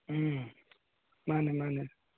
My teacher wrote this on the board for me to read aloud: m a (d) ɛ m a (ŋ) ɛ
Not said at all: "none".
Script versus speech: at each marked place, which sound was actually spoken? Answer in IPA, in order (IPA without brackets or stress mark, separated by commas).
n, n